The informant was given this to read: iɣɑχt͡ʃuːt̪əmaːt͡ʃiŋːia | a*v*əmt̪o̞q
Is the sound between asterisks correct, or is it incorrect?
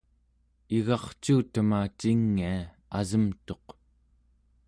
incorrect